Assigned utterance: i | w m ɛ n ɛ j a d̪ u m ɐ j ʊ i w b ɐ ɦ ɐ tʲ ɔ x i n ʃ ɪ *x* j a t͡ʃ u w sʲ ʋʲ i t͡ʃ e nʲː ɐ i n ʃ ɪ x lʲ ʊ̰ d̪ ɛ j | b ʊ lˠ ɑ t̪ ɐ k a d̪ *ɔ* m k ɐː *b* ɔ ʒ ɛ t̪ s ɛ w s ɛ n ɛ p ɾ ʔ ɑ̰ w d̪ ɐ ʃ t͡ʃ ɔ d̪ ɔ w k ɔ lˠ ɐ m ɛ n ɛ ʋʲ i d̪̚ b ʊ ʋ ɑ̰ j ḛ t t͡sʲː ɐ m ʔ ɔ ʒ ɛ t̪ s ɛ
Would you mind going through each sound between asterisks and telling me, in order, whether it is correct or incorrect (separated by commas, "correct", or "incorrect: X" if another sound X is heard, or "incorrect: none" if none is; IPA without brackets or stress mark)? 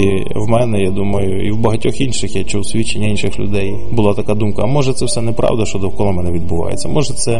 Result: correct, incorrect: u, incorrect: m